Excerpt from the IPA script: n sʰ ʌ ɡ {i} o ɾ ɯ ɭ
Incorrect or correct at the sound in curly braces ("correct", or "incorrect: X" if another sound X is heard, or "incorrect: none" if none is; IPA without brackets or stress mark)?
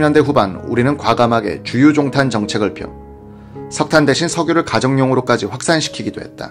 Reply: incorrect: j